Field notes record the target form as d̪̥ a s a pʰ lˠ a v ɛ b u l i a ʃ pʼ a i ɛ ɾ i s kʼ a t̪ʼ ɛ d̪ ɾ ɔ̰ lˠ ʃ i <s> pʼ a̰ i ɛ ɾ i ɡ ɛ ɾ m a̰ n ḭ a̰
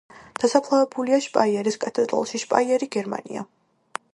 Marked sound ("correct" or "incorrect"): incorrect